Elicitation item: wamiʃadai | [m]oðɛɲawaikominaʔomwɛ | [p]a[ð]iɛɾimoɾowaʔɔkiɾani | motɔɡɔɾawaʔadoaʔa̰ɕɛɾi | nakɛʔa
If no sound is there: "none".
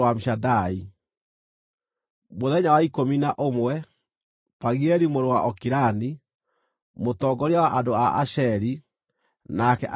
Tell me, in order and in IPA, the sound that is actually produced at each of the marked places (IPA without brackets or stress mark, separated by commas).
m, p, ɣ